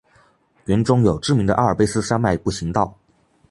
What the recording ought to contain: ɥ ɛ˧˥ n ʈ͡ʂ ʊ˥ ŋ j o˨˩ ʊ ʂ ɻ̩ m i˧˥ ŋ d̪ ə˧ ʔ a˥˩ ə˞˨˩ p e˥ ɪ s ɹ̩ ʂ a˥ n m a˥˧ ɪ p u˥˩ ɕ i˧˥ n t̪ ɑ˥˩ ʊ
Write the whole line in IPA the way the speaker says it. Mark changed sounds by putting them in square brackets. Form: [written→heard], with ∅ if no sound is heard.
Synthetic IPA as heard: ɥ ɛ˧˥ n ʈ͡ʂ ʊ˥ ŋ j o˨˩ ʊ [ʂ→ʈ͡ʂ] ɻ̩ m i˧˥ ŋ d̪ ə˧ ʔ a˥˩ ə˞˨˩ p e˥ ɪ s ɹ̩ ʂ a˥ n m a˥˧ ɪ p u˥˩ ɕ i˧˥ [n→ŋ] t̪ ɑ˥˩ ʊ